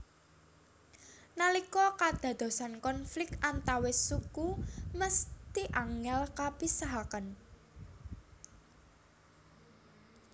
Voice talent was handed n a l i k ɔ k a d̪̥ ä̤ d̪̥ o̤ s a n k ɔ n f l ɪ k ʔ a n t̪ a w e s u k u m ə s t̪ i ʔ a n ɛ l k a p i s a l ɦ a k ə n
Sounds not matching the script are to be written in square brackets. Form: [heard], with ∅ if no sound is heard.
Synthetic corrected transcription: n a l i k ɔ k a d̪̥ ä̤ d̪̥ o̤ s a n k ɔ n f l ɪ k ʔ a n t̪ a w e s u k u m ə s t̪ i ʔ a [ŋ] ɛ l k a p i s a [∅] ɦ a k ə n